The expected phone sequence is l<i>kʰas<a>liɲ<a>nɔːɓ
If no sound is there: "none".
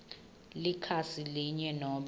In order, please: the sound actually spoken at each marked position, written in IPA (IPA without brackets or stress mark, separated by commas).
i, i, ɛ